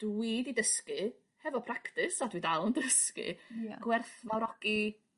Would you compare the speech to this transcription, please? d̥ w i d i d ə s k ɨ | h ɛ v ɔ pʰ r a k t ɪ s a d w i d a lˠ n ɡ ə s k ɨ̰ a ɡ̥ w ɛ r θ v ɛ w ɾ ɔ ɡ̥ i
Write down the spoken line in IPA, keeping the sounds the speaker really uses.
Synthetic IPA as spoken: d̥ w i d i d ə s k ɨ | h ɛ v ɔ pʰ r a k t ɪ s a d w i d a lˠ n d ə s k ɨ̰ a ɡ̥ w ɛ r θ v a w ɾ ɔ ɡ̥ i